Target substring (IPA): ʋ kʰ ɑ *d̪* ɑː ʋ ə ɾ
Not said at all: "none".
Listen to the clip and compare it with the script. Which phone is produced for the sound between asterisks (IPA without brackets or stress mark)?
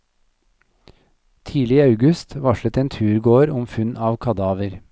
d̪